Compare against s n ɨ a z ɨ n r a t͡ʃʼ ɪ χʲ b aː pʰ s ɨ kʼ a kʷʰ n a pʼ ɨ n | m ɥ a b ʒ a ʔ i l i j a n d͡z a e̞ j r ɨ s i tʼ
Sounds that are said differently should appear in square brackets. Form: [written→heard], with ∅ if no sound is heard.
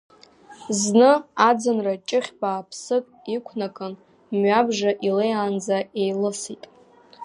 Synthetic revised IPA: [s→z] n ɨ a [z→d͡z] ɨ n r a t͡ʃʼ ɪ χʲ b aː pʰ s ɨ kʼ [a→i] kʷʰ n a [pʼ→kʼ] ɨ n | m ɥ a b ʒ a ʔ i l [i→e] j a n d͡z a e̞ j [r→l] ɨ s i tʼ